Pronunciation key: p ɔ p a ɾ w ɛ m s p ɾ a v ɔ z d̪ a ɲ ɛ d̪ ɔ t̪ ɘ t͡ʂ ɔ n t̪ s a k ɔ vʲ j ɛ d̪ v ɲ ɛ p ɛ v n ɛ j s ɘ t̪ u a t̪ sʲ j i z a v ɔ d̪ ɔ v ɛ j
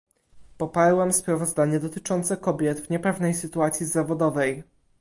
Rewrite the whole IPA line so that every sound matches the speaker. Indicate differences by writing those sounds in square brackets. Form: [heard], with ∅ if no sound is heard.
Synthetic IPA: p ɔ p a ɾ w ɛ m s p ɾ a v ɔ z d̪ a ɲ ɛ d̪ ɔ t̪ ɘ t͡ʂ ɔ n t̪ s [ɛ] k ɔ [bʲ] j ɛ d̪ v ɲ ɛ p ɛ v n ɛ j s ɘ t̪ u a t̪ sʲ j i z a v ɔ d̪ ɔ v ɛ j